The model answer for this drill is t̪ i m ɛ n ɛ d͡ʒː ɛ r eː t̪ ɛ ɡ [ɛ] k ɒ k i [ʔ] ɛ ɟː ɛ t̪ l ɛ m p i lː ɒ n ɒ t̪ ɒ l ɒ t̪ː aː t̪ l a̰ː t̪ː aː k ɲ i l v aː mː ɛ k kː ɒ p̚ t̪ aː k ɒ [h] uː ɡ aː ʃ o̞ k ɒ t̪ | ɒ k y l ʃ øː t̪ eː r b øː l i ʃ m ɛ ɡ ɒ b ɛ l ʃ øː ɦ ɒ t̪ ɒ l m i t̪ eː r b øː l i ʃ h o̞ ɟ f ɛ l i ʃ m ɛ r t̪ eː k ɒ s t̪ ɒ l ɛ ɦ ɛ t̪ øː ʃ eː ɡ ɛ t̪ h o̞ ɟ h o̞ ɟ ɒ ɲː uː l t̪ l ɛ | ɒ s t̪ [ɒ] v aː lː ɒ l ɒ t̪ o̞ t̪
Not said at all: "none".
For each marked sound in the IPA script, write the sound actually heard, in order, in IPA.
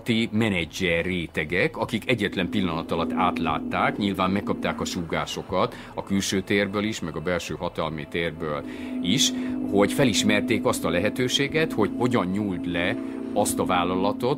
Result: ɛ, k, ʃ, ɒ

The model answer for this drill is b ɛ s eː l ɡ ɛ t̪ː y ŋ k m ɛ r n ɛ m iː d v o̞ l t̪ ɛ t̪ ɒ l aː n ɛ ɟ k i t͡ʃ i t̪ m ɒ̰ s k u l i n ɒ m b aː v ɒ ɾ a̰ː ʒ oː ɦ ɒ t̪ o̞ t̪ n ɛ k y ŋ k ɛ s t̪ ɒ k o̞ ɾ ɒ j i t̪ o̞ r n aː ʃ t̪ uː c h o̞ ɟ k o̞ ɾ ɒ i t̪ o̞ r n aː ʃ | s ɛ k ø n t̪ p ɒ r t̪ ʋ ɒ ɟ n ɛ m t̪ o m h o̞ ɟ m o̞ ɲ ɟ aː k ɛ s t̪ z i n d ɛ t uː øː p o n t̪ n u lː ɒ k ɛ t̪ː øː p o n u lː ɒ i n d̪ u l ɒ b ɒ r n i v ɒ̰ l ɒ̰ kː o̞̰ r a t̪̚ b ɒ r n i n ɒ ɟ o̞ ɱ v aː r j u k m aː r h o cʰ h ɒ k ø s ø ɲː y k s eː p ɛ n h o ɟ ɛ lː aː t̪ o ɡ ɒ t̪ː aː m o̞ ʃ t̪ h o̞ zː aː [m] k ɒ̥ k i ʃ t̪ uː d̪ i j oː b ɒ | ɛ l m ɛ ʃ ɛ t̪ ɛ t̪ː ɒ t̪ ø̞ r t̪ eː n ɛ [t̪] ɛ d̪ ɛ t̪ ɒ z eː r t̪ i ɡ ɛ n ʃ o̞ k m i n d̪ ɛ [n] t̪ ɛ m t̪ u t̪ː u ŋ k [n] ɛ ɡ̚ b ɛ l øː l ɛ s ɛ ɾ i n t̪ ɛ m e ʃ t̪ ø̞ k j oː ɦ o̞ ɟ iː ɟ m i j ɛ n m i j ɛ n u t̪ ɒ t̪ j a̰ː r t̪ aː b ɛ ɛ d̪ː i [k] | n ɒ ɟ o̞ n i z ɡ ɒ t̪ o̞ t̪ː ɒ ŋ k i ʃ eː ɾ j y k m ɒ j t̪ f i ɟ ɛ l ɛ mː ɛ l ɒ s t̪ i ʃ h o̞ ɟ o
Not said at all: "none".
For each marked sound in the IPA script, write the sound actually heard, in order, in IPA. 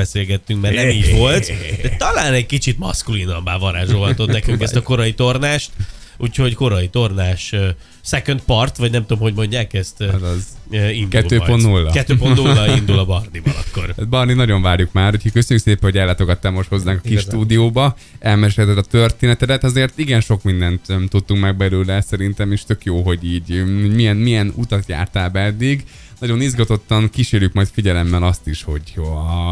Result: ŋ, t̪, n, m, ɡ

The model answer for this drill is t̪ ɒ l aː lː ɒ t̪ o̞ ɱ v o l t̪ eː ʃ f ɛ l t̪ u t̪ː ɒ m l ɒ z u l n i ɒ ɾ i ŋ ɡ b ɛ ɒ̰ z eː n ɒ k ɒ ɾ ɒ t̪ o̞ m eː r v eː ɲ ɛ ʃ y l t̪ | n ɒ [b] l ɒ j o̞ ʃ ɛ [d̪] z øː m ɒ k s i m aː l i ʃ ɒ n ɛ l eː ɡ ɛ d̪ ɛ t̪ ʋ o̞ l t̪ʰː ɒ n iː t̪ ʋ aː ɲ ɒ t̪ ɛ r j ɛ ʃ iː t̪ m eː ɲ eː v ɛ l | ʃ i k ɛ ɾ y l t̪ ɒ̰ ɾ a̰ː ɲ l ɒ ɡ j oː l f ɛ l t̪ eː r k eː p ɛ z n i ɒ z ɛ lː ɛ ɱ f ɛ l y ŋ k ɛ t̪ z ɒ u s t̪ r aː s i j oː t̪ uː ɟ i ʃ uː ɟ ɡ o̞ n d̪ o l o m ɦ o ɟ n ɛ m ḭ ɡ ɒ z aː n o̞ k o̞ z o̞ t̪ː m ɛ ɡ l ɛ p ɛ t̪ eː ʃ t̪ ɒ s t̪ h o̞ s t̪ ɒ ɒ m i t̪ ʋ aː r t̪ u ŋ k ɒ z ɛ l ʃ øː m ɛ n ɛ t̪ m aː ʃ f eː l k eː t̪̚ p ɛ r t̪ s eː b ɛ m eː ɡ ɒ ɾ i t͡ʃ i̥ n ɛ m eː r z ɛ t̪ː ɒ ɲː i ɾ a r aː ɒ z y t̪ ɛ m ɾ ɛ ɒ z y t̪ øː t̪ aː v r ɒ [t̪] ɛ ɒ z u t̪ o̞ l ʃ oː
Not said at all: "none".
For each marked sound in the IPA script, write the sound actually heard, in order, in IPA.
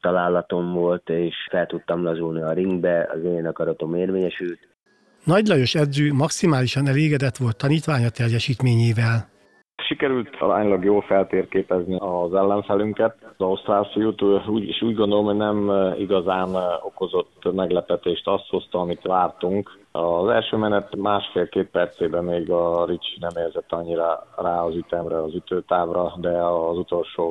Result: ɟ, d̪, d̪

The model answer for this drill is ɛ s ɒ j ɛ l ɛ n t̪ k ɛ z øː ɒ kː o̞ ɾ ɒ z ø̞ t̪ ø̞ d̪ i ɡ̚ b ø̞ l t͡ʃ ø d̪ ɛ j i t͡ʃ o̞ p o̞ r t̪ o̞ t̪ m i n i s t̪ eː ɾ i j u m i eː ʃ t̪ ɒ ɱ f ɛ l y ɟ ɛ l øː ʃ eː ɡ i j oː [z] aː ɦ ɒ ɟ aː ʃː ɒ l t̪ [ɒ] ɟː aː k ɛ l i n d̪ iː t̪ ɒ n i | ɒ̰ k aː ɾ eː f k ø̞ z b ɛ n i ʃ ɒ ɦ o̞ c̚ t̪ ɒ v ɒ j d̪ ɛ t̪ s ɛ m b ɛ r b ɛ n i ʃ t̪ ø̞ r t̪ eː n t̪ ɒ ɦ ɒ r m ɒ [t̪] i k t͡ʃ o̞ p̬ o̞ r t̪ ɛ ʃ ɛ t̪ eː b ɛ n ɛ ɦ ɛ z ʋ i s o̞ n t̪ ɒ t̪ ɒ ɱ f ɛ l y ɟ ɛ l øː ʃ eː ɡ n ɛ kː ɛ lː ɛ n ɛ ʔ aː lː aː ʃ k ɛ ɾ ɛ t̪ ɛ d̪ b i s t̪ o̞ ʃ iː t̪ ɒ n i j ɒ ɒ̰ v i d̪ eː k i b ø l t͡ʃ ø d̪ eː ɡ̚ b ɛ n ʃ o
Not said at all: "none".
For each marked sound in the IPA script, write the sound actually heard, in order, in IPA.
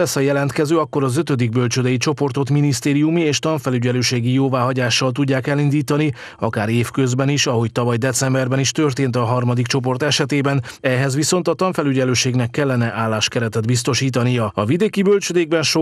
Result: v, u, d̪

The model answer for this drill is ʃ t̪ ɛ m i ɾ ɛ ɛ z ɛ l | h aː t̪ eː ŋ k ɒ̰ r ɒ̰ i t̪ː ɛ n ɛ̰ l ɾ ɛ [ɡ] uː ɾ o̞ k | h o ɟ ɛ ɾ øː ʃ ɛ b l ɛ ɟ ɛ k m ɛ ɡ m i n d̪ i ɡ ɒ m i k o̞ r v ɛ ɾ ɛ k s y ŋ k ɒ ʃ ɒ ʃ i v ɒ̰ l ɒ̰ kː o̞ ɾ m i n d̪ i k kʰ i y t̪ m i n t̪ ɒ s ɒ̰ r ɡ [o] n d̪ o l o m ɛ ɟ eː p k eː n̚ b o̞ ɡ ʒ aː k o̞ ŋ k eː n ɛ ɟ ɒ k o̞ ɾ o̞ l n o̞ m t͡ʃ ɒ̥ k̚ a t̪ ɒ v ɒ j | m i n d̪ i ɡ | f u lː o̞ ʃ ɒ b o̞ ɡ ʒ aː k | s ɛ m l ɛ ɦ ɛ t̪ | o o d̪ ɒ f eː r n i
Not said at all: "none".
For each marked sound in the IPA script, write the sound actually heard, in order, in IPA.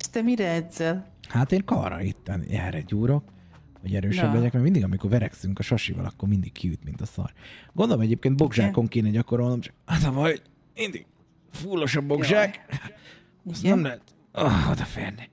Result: ɟ, o

